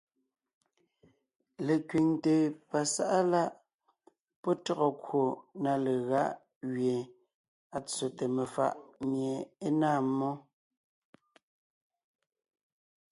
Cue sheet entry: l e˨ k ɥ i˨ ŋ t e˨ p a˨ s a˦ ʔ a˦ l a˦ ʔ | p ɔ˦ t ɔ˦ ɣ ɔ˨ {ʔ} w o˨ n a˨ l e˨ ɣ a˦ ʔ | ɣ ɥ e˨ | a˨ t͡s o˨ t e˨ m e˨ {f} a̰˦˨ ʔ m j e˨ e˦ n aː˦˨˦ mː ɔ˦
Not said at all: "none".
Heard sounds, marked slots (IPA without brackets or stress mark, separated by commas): k, f